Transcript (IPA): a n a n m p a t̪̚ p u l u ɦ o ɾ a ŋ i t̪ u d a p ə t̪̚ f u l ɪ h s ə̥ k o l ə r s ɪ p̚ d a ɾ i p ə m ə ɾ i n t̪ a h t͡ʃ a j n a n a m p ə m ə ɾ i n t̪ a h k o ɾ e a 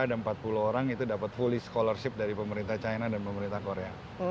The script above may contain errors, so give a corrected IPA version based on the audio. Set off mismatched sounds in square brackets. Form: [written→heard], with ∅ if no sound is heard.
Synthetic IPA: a [n→d] a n m p a t̪̚ p u l u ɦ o ɾ a ŋ i t̪ u d a p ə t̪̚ f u l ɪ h s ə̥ k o l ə r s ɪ p̚ d a ɾ i p ə m ə ɾ i n t̪ a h t͡ʃ a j n a [n→d] a [m→n] p ə m ə ɾ i n t̪ a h k o ɾ e a